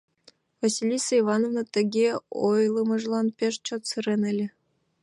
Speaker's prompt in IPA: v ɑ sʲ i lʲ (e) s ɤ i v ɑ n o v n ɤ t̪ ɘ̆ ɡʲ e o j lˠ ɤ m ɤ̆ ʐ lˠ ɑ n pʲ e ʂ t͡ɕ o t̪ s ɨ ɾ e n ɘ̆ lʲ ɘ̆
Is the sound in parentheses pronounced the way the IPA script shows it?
no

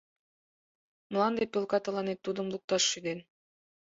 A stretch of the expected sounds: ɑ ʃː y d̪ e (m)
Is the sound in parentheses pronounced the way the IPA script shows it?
no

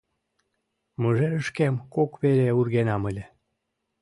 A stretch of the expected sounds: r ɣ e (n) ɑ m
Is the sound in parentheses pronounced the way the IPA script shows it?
yes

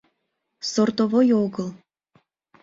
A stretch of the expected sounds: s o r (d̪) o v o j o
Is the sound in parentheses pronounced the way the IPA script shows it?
no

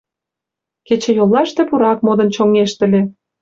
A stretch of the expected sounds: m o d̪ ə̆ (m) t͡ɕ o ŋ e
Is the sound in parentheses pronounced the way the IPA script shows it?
no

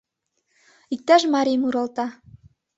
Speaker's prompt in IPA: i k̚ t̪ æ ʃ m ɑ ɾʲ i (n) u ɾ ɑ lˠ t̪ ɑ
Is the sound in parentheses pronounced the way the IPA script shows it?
no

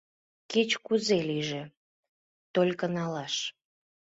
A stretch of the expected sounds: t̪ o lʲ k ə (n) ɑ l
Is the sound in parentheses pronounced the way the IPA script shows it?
yes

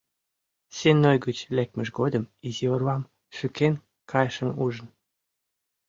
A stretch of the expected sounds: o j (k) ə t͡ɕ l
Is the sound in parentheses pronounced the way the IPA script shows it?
no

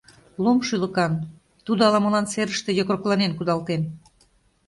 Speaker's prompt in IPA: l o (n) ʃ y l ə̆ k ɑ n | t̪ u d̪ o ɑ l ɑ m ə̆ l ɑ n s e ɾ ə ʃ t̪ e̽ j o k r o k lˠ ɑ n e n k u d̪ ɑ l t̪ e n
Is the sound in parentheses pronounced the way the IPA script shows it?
no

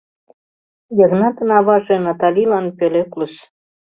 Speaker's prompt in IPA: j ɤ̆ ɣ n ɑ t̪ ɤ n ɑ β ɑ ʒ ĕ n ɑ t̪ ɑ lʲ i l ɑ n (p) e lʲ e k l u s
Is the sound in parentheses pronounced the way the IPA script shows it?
yes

